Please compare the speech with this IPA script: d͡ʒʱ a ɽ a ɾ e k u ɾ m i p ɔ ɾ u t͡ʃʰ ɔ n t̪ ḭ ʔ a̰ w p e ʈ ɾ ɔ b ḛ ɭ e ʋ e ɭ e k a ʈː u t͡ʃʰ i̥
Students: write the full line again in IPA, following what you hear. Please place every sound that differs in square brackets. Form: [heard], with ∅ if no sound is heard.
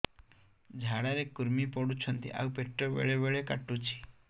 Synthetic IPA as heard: d͡ʒʱ a ɽ a ɾ e k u ɾ m i p ɔ [ɽ] u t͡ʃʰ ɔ n t̪ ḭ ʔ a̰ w p e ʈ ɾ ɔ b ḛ ɭ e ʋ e ɭ e k a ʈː u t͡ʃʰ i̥